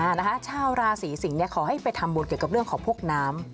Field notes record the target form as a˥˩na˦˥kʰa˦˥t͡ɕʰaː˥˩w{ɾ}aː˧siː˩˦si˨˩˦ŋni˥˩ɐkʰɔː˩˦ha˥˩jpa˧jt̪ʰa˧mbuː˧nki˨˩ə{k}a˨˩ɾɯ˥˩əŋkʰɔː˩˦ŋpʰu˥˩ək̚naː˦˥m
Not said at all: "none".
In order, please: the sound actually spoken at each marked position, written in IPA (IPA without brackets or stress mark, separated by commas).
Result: ɾ, k